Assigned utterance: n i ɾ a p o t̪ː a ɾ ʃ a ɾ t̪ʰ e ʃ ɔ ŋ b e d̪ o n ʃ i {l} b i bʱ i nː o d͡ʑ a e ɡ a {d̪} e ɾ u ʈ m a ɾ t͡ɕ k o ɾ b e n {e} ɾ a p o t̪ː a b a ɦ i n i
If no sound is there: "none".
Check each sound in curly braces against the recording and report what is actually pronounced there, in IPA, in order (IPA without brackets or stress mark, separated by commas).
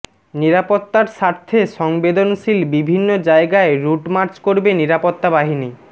l, none, i